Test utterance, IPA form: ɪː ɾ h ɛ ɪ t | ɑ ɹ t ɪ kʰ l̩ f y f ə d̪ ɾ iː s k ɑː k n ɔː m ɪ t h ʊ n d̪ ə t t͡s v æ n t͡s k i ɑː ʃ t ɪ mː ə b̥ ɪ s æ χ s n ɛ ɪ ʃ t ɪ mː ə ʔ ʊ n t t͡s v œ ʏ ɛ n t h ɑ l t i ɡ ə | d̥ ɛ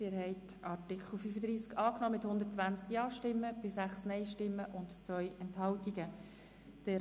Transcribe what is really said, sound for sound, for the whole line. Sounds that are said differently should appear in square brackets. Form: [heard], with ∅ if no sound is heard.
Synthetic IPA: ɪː ɾ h ɛ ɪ t | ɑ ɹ t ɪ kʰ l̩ f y f ə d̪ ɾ iː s k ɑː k n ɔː m ɪ t h ʊ n d̪ ə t t͡s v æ n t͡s k [j] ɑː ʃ t ɪ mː ə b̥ ɪ s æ χ s n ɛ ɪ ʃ t ɪ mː ə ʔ ʊ n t t͡s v œ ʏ ɛ n t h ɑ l t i ɡ ə | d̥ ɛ